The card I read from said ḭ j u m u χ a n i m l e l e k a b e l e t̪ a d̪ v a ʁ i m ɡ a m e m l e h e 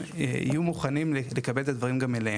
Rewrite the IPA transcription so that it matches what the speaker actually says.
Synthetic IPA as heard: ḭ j u m u χ a n i m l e l e k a b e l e t̪ a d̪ v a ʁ i m ɡ a m e l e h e